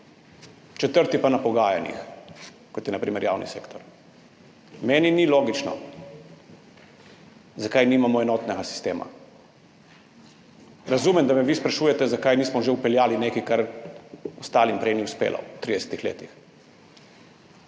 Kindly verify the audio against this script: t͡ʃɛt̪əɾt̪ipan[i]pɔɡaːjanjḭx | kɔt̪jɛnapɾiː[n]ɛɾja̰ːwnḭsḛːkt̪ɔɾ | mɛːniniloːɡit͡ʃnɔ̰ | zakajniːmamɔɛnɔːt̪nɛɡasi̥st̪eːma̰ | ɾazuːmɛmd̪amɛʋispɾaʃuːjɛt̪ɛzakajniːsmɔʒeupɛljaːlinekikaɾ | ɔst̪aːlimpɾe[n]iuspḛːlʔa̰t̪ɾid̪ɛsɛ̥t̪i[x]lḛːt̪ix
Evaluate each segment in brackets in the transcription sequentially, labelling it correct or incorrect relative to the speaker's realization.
incorrect, incorrect, correct, correct

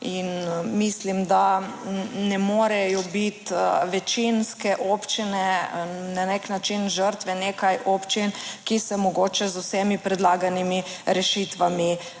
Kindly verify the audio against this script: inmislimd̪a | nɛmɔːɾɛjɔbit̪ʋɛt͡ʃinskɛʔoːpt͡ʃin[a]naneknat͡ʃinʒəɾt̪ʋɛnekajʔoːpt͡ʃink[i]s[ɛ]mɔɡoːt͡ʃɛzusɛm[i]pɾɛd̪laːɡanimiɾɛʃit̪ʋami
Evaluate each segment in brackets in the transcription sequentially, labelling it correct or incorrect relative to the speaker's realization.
incorrect, correct, correct, correct

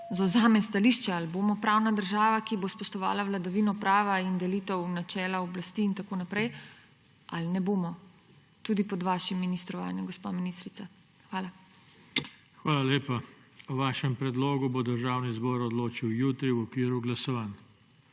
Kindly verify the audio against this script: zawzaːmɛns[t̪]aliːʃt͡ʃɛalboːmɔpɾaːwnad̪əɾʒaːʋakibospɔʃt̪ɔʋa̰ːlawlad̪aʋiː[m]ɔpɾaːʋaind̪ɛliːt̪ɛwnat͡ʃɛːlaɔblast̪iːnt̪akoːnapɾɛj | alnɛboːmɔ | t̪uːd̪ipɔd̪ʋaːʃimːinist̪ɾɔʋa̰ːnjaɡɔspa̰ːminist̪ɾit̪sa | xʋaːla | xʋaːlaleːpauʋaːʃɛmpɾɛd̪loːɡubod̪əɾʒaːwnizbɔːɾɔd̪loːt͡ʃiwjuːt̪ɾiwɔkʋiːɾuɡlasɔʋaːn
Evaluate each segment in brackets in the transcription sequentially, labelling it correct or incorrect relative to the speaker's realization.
correct, incorrect

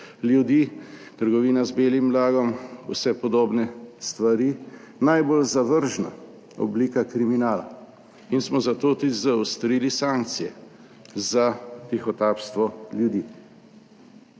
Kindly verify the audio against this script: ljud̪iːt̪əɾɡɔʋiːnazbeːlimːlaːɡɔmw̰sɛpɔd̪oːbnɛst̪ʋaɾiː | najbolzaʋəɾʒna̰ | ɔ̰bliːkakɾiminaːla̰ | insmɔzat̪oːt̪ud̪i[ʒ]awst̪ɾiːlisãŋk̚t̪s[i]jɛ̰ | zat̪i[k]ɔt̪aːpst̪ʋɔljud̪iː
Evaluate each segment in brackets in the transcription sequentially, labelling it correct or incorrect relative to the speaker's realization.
incorrect, correct, incorrect

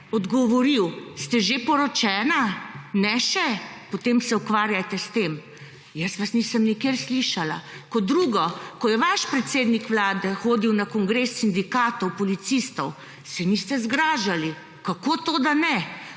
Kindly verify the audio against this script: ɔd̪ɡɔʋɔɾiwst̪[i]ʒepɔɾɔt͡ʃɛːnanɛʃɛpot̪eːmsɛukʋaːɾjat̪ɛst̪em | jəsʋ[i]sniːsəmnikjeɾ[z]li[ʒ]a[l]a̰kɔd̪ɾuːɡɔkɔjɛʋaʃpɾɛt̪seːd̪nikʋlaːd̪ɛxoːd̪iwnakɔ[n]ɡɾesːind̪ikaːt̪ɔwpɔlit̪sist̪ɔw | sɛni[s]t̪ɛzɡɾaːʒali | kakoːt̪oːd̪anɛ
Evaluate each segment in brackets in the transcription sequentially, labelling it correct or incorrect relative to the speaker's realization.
incorrect, incorrect, incorrect, incorrect, correct, incorrect, correct

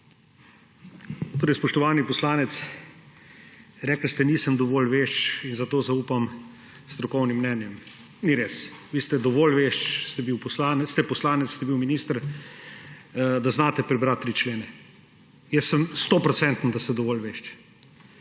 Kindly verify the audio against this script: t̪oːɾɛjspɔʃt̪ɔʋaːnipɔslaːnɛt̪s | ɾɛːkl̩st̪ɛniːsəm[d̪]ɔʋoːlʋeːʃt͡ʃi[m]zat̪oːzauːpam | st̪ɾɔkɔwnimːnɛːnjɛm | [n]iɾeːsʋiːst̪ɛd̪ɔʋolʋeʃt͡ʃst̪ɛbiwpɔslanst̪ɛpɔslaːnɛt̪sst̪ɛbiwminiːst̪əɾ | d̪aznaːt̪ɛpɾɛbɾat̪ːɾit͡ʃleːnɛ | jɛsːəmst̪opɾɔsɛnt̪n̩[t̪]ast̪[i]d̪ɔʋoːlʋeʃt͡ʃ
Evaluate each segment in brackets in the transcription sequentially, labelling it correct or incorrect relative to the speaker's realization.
correct, incorrect, correct, incorrect, incorrect

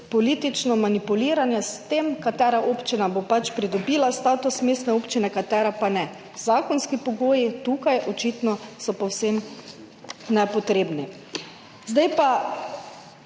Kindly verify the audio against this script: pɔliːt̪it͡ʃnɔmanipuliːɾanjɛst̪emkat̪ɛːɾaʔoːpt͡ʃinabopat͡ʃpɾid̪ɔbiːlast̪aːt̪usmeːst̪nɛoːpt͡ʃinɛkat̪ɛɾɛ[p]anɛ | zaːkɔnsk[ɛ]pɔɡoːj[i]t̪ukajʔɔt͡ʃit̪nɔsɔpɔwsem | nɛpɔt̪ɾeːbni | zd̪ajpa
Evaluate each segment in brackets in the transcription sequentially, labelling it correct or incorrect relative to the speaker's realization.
correct, incorrect, correct

